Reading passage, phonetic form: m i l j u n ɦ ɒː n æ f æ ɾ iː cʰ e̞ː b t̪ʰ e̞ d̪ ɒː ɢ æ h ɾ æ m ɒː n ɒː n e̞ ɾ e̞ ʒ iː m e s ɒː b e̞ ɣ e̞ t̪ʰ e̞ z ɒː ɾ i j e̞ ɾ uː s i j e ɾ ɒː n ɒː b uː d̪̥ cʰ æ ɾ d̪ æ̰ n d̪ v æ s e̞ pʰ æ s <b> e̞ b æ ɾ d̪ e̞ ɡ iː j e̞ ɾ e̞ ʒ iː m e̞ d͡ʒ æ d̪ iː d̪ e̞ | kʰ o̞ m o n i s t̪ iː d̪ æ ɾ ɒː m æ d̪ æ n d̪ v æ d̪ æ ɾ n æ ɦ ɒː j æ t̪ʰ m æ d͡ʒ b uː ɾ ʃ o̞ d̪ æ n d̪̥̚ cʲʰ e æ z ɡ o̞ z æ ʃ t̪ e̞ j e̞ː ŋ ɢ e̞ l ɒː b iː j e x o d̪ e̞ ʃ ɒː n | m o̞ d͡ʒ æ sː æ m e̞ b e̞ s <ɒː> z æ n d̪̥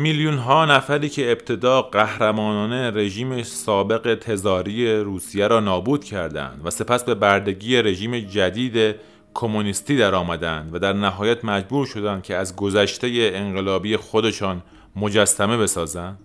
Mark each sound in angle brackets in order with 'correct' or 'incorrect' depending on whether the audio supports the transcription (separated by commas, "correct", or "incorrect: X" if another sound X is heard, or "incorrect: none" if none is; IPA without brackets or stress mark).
correct, correct